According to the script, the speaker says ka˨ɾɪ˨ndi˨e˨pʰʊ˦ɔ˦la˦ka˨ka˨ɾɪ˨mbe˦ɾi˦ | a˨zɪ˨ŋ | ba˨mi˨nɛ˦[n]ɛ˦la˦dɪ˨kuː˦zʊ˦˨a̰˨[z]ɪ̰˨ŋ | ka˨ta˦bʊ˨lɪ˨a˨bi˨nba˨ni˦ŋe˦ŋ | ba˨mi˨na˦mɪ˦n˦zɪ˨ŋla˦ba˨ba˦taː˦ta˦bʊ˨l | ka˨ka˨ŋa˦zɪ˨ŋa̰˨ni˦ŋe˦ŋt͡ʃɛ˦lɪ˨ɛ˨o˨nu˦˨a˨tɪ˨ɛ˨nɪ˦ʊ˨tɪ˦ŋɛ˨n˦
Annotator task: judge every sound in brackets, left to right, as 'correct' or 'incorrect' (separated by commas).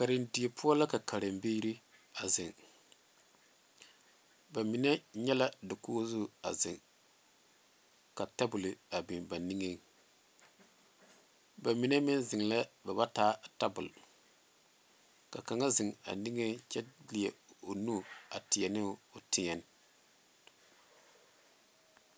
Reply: incorrect, correct